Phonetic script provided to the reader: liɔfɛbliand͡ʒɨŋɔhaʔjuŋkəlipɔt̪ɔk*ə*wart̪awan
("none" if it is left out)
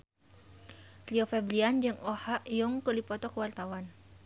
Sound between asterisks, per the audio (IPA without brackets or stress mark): ə